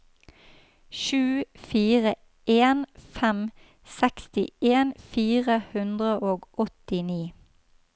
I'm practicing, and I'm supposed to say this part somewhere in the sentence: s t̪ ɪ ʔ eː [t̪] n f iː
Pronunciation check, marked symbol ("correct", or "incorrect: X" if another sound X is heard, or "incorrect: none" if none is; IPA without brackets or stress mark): incorrect: none